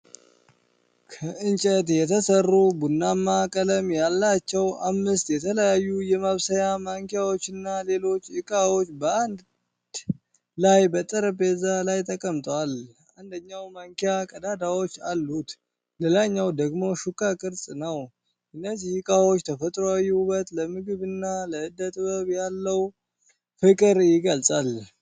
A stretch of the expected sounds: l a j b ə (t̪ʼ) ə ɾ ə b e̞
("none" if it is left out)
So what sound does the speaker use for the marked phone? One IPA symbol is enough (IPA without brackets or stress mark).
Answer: t̪ʼ